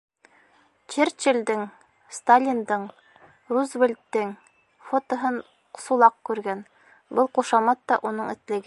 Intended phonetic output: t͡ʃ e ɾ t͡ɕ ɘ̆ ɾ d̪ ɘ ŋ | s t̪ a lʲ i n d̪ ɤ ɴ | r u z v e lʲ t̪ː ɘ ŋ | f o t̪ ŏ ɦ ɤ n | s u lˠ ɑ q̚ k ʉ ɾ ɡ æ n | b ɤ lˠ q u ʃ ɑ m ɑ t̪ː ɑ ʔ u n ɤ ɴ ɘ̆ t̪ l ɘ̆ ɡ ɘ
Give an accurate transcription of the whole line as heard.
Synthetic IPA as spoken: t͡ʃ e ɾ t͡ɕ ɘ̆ l d̪ ɘ ŋ | s t̪ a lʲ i n d̪ ɤ ɴ | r u z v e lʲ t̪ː ɘ ŋ | f o t̪ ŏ ɦ ɤ n | s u lˠ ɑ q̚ k ʉ ɾ ɡ æ n | b ɤ lˠ q u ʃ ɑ m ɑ t̪ː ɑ ʔ u n ɤ ɴ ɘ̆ t̪ l ɘ̆ ɡ ɘ